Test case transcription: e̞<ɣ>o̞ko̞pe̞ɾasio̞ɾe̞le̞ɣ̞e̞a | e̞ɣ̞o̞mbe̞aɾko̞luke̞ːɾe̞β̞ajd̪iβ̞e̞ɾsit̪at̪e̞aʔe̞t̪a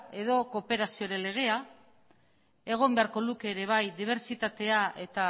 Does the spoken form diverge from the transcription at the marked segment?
yes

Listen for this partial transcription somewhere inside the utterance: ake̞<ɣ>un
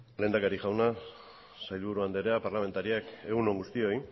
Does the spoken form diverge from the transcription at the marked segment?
no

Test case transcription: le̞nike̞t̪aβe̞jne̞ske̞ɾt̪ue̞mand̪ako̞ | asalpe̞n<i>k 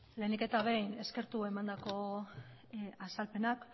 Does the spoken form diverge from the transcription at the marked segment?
yes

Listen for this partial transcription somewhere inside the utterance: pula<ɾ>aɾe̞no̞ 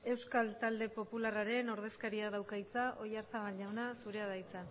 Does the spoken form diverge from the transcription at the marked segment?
yes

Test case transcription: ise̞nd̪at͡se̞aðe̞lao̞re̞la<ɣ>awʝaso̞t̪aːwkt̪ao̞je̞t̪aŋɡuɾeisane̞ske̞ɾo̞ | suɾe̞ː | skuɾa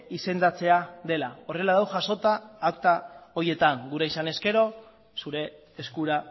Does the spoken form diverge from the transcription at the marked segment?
yes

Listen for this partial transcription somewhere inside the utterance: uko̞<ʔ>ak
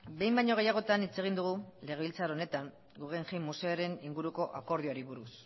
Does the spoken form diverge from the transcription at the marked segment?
no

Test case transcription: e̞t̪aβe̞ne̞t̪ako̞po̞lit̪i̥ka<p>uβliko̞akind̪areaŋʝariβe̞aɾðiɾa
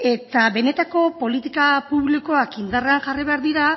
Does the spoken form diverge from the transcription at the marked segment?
no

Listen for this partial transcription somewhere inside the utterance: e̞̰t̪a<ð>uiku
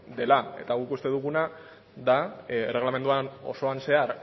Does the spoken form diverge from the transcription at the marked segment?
yes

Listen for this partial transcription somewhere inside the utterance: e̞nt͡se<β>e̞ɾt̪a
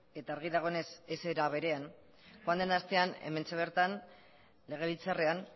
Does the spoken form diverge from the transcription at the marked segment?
no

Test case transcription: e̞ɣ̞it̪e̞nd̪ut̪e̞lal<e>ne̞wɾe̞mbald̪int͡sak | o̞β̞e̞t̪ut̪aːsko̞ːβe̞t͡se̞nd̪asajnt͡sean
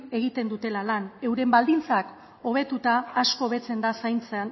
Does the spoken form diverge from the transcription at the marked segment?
yes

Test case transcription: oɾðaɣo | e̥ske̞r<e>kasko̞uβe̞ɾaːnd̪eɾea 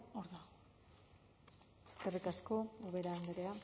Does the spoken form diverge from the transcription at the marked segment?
yes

